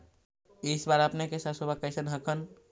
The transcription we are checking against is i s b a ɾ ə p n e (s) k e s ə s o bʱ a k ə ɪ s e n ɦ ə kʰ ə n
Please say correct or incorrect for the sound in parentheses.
incorrect